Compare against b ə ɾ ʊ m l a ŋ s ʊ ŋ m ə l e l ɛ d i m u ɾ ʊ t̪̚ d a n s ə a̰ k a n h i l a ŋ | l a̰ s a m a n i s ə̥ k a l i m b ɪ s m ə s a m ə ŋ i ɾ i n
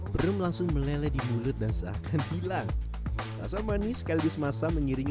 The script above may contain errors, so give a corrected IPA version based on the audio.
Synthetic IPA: b ə ɾ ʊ m l a ŋ s ʊ ŋ m ə l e l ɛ d i m u l ʊ t̪̚ d a n s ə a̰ k a n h i l a ŋ | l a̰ s a m a n i s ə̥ k a l i b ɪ s m a s a m ə ŋ i ɾ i ŋ